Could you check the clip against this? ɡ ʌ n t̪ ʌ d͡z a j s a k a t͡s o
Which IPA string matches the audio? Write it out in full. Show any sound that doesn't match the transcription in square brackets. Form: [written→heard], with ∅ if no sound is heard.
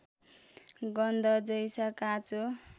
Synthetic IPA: ɡ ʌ n [t̪→d̪] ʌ d͡z [a→ʌ] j s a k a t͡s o